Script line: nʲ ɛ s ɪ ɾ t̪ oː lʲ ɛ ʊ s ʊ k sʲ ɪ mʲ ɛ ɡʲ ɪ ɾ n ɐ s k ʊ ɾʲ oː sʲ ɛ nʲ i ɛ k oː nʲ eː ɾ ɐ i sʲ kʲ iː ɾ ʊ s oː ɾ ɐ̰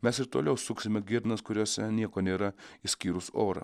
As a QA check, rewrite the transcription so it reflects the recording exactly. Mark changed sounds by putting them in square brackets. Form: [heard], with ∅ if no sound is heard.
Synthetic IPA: [mʲ] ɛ s ɪ ɾ t̪ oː lʲ ɛ ʊ s ʊ k sʲ ɪ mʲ ɛ ɡʲ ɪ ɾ n ɐ s k ʊ ɾʲ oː sʲ ɛ nʲ i ɛ k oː nʲ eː ɾ ɐ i sʲ kʲ iː ɾ ʊ s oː ɾ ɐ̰